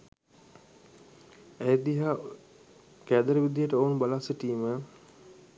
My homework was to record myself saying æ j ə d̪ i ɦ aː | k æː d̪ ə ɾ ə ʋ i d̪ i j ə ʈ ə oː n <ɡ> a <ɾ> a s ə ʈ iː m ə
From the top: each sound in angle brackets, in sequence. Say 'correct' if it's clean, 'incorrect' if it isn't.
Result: incorrect: b, incorrect: l

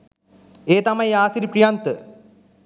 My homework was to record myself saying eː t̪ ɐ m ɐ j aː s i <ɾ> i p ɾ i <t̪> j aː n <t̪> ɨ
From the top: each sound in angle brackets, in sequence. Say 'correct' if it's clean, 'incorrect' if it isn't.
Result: correct, incorrect: none, correct

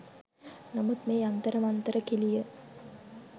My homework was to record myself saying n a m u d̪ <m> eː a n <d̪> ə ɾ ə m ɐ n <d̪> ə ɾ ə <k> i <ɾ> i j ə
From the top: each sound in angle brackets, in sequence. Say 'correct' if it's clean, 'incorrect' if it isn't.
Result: correct, incorrect: t̪, incorrect: t̪, correct, incorrect: l

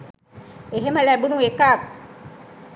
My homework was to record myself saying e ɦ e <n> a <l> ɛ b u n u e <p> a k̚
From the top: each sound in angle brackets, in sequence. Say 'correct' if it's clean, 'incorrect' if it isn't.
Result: incorrect: m, correct, incorrect: k

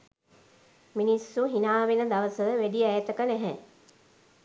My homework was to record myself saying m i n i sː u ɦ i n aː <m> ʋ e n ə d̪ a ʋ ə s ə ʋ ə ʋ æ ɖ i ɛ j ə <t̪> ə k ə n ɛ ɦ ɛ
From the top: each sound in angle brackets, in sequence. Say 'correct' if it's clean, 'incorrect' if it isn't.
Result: incorrect: none, correct

